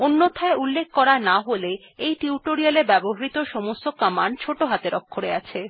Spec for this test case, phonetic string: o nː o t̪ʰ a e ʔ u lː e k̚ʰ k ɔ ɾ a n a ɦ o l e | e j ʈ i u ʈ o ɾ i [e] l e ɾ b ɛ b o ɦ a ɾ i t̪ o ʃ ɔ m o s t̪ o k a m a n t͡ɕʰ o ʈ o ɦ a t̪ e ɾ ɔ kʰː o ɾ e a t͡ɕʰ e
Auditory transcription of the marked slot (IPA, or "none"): a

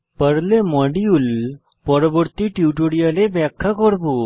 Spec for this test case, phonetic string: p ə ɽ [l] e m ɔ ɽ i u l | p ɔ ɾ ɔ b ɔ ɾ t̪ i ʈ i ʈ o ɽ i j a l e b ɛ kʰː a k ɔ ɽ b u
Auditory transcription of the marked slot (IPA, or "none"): l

